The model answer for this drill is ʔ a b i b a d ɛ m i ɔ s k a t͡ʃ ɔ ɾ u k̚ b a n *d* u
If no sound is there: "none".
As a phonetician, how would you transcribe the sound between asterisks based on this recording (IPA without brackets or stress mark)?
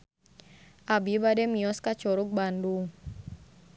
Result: d